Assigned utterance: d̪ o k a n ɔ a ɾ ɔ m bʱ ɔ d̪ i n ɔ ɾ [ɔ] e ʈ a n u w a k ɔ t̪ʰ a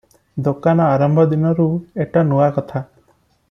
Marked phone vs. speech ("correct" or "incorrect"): incorrect